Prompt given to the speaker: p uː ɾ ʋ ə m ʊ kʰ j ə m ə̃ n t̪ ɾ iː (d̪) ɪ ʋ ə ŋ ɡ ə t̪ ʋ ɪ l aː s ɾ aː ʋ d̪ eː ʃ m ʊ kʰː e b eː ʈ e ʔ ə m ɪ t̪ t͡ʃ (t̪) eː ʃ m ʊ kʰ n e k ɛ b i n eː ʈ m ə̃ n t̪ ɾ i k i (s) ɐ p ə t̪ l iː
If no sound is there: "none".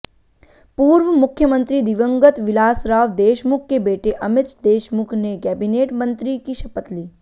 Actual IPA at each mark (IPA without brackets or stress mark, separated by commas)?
d̪, d̪, ʃ